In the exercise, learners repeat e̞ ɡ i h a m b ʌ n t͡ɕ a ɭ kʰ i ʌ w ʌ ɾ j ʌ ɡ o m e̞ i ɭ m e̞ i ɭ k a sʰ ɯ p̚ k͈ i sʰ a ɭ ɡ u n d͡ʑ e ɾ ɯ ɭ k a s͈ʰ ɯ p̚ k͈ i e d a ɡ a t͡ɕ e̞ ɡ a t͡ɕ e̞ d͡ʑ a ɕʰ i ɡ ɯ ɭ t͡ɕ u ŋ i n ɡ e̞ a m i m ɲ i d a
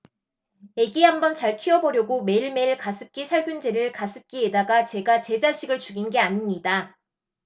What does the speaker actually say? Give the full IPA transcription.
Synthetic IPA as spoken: e̞ ɡ i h a m b ʌ n t͡ɕ a ɭ kʰ i ʌ b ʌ ɾ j ʌ ɡ o m e̞ i ɭ m e̞ i ɭ k a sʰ ɯ p̚ k͈ i sʰ a ɭ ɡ u n d͡ʑ e ɾ ɯ ɭ k a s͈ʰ ɯ p̚ k͈ i e d a ɡ a t͡ɕ e̞ ɡ a t͡ɕ e̞ d͡ʑ a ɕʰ i ɡ ɯ ɭ t͡ɕ u ɡ i n ɡ e̞ a ɲ i m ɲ i d a